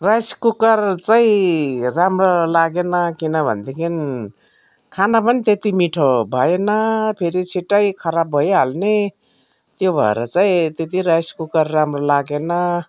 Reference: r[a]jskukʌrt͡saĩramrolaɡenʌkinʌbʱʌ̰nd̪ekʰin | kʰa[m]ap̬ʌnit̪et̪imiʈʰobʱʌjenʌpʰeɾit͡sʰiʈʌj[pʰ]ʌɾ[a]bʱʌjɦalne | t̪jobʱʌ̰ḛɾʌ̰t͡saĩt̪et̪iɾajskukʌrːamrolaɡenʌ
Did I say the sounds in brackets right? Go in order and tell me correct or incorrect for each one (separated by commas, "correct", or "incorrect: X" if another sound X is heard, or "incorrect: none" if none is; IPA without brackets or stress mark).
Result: correct, incorrect: n, incorrect: kʰ, correct